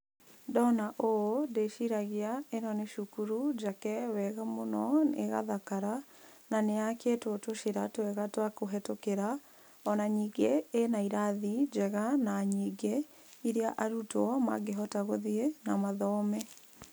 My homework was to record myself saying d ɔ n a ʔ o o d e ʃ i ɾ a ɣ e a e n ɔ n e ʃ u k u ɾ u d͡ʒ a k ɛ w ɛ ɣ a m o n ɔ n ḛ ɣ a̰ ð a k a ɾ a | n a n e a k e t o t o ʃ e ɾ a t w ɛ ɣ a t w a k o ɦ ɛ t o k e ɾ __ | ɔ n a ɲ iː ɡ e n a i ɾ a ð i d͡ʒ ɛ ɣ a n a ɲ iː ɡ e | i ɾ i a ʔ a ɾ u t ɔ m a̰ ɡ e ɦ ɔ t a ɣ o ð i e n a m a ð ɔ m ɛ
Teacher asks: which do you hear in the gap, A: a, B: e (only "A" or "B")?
A